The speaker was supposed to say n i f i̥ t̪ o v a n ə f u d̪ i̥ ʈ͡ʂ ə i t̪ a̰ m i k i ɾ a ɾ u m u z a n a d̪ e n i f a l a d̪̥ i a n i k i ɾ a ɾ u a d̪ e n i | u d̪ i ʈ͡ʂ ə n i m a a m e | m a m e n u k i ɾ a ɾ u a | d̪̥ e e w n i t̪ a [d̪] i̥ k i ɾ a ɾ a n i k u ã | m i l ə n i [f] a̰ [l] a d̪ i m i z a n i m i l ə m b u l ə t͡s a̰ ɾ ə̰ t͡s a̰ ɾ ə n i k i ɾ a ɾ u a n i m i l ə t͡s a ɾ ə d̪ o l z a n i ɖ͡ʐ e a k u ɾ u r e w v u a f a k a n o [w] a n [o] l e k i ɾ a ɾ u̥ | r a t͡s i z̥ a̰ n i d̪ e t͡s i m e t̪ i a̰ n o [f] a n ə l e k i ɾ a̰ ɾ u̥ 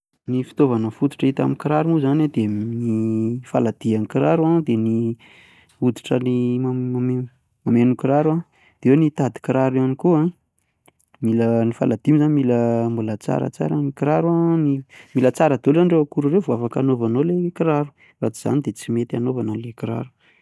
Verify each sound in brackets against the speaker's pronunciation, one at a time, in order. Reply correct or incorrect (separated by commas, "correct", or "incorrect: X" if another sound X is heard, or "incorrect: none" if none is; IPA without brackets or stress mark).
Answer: correct, correct, correct, incorrect: v, correct, incorrect: v